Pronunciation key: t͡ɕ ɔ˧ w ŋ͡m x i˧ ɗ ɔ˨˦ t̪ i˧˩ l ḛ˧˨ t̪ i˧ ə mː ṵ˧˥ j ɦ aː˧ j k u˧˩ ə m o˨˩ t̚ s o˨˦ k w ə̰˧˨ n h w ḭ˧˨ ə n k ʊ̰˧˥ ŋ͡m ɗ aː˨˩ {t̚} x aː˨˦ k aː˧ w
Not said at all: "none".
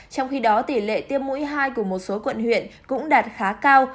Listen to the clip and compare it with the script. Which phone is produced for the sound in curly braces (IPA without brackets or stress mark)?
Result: t̚